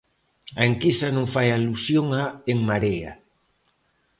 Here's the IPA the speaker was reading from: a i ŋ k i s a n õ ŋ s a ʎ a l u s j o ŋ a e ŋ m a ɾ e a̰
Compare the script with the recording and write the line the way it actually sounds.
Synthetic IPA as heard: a e ŋ k i s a n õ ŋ f a j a l u s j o ŋ a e ŋ m a ɾ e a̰